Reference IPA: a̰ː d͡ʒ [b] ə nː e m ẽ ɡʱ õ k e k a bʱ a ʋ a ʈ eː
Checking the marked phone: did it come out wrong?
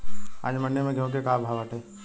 yes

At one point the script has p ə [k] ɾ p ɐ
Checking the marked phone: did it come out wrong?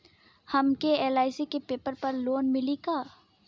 yes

